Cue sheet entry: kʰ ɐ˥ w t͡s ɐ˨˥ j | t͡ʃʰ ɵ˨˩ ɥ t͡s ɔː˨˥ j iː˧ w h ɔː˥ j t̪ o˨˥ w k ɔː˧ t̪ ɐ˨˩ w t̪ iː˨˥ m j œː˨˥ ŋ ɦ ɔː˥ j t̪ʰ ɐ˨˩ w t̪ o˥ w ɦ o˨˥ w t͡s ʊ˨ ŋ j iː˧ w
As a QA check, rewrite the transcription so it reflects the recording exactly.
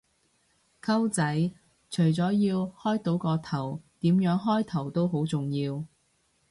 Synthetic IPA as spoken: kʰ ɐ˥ w t͡s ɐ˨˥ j | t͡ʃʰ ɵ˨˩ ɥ t͡s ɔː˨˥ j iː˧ w h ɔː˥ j t̪ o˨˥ w k ɔː˧ t̪ʰ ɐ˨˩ w t̪ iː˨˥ m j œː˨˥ ŋ ɦ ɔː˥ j t̪ʰ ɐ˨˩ w t̪ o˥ w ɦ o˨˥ w t͡s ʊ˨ ŋ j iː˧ w